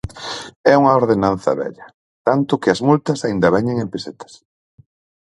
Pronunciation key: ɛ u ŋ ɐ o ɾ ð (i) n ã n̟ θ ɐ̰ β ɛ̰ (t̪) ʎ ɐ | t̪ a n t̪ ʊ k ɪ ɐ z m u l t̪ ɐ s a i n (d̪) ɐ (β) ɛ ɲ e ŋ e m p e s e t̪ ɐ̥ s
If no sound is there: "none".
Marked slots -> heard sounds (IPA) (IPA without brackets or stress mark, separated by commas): e, none, d̪, β